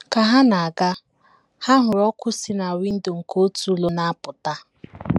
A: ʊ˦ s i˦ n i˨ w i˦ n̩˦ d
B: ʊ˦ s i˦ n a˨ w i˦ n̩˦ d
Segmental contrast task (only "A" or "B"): B